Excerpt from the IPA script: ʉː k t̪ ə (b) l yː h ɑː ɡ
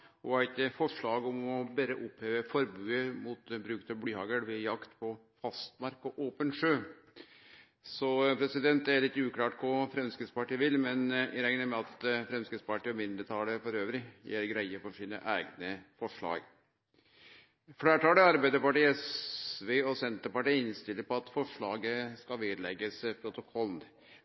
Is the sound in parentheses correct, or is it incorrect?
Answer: correct